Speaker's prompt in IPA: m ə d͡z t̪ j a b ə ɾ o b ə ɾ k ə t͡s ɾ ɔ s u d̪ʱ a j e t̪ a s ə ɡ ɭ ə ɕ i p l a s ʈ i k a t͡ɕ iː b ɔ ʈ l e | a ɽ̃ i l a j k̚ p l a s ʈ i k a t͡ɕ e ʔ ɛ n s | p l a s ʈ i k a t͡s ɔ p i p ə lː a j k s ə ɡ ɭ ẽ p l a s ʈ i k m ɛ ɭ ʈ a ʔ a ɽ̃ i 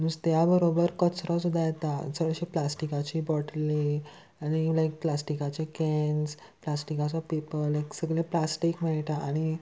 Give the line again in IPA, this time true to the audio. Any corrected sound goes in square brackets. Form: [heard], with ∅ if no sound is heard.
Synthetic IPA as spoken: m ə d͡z t̪ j a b ə ɾ o b ə ɾ k ə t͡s ɾ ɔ s u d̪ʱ a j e t̪ a s ə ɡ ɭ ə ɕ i p l a s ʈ i k a t͡ɕ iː b ɔ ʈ l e | a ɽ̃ i l a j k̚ p l a s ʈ i k a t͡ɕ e [k] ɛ n s | p l a s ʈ i k a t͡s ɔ p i p ə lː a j k s ə ɡ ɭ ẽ p l a s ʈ i k m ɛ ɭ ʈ a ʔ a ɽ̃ i